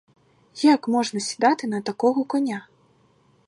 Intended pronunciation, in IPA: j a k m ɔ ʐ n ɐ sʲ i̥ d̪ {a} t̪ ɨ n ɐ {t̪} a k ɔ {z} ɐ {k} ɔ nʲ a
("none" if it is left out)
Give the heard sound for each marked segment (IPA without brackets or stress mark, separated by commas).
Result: a, t̪, ɣ, k